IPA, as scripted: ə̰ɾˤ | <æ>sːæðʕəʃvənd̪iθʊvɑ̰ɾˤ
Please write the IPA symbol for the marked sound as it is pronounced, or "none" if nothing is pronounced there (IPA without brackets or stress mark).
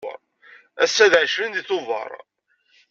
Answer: æ